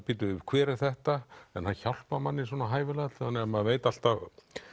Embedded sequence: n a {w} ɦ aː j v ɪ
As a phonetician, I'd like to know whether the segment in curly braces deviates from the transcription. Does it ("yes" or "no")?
yes